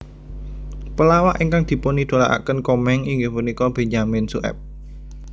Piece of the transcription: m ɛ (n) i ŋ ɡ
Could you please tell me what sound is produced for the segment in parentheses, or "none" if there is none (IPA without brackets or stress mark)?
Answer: ŋ